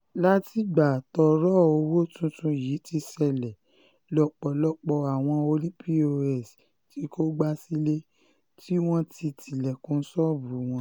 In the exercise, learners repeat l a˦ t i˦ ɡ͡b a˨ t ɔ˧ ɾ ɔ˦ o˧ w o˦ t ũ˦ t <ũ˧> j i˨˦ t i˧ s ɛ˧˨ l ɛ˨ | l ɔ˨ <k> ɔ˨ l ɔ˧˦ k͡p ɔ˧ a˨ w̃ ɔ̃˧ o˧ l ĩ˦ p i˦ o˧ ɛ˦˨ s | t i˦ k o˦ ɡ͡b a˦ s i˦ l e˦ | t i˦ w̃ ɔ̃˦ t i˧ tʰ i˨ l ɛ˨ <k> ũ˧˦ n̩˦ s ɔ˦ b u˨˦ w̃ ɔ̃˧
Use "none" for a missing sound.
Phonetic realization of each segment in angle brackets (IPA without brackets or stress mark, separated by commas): ũ˧, k͡p, k